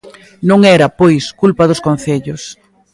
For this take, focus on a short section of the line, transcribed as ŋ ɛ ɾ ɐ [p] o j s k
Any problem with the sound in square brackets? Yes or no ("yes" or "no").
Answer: no